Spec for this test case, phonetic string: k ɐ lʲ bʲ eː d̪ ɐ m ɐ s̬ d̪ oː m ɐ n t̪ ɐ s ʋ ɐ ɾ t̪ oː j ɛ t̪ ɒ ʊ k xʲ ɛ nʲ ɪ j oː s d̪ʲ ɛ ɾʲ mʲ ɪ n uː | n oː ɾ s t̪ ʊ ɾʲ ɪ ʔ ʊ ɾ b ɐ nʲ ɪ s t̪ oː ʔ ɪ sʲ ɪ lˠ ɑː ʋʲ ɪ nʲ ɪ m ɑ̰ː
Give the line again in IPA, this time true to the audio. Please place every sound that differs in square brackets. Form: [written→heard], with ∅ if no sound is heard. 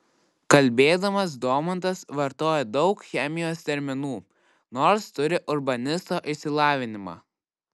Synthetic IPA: k ɐ lʲ bʲ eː d̪ ɐ m ɐ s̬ d̪ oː m ɐ n t̪ ɐ s ʋ ɐ ɾ t̪ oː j ɛ [t̪→d̪] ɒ ʊ k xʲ ɛ [nʲ→mʲ] ɪ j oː s [d̪ʲ→t̪ʲ] ɛ ɾʲ mʲ ɪ n uː | n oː ɾ s t̪ ʊ ɾʲ ɪ ʔ ʊ ɾ b ɐ nʲ ɪ s t̪ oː ʔ ɪ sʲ ɪ lˠ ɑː ʋʲ ɪ nʲ ɪ m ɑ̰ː